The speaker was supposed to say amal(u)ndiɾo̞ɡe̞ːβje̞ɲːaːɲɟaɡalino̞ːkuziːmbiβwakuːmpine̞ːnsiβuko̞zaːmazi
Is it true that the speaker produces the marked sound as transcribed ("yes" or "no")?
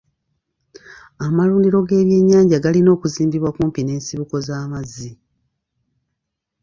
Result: no